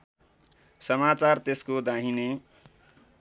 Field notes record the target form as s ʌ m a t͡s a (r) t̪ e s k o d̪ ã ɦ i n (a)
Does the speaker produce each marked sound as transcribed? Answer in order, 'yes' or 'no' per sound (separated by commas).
yes, no